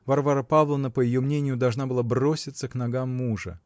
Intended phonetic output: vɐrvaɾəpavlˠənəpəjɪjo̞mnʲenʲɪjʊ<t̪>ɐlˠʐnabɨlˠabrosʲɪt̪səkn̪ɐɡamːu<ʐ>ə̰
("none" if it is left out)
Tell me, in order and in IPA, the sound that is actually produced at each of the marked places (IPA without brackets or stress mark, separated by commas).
d̪, ʐ